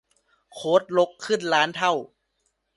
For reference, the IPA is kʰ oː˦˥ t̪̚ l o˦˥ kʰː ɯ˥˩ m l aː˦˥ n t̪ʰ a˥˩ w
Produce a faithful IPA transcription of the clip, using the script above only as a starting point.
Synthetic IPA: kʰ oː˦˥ t̪̚ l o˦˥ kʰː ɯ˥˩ n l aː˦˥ n t̪ʰ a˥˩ w